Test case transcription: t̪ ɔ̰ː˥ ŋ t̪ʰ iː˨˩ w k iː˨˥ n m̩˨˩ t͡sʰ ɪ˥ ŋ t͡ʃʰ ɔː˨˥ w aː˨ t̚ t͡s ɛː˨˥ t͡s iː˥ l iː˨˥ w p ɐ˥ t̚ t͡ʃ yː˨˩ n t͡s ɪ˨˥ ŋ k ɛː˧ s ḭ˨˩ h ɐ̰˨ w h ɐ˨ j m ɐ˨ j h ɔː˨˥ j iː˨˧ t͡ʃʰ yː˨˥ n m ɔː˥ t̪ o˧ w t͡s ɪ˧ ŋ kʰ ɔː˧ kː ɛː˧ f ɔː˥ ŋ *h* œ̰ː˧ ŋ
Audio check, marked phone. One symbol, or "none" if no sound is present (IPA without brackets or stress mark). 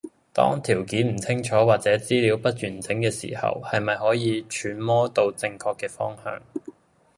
h